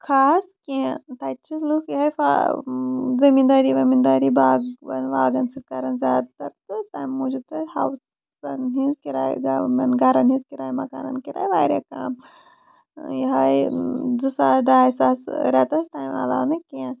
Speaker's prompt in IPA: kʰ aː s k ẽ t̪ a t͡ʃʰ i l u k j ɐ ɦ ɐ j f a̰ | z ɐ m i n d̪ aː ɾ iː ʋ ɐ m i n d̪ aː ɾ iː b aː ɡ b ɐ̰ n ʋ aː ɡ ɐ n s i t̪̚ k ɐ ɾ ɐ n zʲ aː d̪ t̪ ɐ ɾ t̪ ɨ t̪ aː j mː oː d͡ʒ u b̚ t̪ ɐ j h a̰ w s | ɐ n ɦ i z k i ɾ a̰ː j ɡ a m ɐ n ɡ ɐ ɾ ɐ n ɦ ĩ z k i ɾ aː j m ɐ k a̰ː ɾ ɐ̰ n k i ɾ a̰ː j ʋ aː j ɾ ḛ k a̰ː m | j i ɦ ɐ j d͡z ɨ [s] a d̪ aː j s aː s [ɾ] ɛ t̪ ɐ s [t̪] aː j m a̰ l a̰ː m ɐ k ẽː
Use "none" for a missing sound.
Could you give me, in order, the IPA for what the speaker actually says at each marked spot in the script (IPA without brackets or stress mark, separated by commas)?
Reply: s, ɾ, t̪